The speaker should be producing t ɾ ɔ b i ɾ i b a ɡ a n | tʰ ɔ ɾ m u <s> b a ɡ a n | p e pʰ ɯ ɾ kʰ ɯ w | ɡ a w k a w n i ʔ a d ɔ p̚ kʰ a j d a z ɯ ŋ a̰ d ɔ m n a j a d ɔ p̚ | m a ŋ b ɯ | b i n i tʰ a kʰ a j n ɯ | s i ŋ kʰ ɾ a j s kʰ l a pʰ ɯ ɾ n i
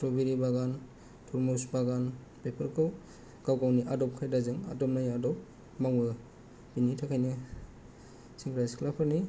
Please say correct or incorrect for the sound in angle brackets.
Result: correct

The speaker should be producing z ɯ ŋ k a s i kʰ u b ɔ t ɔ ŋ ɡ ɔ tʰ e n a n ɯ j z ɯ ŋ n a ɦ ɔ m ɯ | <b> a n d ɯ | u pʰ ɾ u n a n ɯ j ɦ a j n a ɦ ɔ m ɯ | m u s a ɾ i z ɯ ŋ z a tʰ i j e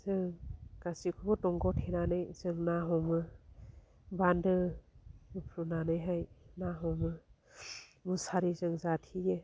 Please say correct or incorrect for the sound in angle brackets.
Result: correct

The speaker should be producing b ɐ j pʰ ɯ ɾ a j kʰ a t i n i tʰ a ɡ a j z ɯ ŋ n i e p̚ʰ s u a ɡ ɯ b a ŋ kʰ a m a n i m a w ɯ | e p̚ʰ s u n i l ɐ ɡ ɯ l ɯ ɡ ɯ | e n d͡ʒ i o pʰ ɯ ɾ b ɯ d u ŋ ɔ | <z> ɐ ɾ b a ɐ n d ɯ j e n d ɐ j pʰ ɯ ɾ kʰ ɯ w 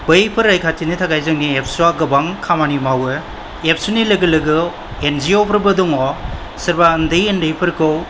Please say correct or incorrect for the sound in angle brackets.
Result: incorrect: s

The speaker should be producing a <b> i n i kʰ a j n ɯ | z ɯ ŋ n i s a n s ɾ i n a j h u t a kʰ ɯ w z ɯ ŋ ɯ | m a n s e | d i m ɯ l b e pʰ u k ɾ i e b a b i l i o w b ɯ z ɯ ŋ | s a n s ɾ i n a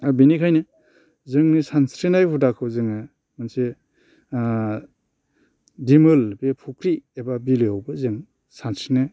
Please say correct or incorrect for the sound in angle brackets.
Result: correct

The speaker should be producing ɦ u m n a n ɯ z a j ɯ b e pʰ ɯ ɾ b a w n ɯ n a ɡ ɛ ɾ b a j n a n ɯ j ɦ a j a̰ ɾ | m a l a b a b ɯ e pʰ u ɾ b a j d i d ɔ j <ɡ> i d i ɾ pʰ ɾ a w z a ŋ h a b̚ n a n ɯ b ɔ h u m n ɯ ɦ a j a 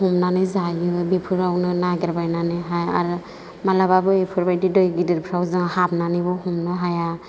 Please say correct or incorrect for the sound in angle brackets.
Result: correct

